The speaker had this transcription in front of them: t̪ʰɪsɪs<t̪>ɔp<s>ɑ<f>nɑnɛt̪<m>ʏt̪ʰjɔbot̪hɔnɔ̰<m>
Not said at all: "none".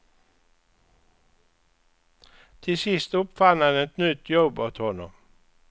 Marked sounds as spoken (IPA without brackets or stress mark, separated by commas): t̪, f, none, n, m